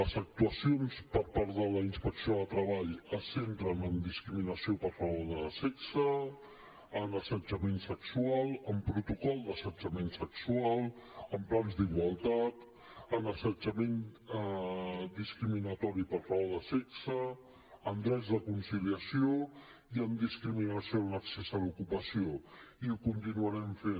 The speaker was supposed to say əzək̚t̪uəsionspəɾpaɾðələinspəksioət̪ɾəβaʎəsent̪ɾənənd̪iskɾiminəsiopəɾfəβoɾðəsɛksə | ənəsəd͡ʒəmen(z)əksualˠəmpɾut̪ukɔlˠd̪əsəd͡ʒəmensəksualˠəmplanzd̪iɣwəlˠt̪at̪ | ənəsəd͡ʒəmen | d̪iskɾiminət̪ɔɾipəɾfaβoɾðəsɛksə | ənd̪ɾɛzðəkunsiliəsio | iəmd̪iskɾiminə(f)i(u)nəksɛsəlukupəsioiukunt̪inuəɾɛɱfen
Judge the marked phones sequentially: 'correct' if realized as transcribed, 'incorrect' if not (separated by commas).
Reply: incorrect, incorrect, incorrect